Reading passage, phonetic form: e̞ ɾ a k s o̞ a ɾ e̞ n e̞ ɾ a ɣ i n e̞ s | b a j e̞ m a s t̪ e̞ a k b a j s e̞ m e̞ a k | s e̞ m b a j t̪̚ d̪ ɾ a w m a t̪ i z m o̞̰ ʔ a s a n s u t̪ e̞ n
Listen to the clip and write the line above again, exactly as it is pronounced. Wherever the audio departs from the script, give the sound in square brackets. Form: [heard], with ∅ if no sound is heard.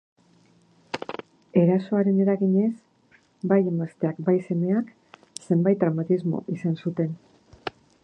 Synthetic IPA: e̞ ɾ a [∅] s o̞ a ɾ e̞ n e̞ ɾ a ɣ i [ɲ] e̞ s | b a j e̞ m a s t̪ e̞ a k b a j s e̞ m e̞ a k | s e̞ m b a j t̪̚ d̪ ɾ a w m a t̪ i z m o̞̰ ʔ [i] s a n s u t̪ e̞ n